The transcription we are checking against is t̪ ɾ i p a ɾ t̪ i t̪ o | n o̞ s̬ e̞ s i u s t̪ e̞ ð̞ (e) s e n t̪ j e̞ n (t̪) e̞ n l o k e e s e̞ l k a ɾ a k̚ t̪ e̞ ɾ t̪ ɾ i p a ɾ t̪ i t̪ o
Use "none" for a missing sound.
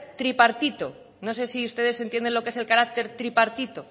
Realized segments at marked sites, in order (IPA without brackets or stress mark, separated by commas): e, d̪